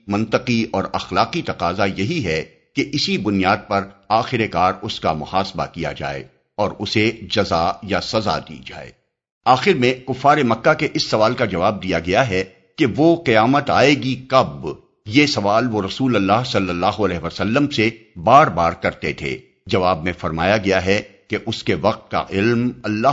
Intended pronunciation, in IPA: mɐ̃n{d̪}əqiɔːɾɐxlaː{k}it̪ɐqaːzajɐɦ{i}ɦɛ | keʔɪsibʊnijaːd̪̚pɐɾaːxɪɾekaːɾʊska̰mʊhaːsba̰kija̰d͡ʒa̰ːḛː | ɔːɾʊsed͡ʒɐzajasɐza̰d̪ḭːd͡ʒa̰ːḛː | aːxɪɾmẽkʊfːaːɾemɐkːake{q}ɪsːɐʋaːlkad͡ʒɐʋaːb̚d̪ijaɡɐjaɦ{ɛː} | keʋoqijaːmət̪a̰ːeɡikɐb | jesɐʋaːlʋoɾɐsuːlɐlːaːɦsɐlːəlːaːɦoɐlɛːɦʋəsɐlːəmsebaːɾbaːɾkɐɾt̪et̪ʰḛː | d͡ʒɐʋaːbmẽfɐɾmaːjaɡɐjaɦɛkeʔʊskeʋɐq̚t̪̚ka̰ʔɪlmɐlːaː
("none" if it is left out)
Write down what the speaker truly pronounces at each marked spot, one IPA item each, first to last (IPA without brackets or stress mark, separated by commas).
t̪, q, i, ʔ, ɛ